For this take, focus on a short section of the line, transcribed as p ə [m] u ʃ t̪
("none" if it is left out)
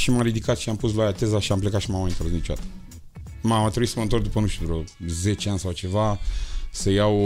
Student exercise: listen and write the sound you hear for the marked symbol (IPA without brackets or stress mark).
n